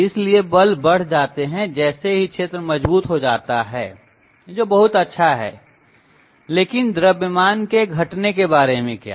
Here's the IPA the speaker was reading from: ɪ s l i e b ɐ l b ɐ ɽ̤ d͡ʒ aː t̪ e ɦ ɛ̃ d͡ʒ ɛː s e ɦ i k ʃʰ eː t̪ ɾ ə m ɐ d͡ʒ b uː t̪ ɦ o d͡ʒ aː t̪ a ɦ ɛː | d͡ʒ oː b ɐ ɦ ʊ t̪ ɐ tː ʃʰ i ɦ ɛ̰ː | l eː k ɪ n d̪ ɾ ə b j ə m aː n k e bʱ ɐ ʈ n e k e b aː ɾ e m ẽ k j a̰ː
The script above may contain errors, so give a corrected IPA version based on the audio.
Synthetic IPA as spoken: ɪ s l i e b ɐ l b ɐ ɽ̤ d͡ʒ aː t̪ e ɦ ɛ̃ d͡ʒ ɛː s e ɦ i k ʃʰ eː t̪ ɾ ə m ɐ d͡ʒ b uː t̪ ɦ o d͡ʒ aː t̪ a ɦ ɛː | d͡ʒ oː b ɐ ɦ ʊ t̪ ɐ tː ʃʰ a ɦ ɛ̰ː | l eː k ɪ n d̪ ɾ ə b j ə m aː n k e ɡʱ ɐ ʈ n e k e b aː ɾ e m ẽ k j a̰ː